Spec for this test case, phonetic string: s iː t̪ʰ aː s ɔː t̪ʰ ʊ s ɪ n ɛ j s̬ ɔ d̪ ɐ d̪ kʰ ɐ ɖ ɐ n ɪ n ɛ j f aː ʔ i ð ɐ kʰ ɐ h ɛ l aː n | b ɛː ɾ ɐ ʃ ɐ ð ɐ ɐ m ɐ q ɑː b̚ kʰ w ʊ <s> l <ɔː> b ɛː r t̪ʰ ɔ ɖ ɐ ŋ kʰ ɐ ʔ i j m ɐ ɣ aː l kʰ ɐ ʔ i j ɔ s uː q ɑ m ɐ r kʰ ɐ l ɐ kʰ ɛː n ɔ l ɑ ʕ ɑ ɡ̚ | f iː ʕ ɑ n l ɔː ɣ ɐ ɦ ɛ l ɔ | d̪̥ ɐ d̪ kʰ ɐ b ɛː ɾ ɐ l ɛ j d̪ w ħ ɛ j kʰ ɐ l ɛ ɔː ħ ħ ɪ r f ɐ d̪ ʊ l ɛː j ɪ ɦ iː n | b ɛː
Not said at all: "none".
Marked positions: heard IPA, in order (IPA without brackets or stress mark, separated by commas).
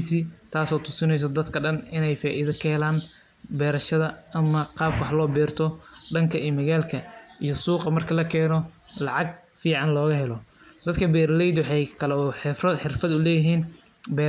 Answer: ħ, ɔː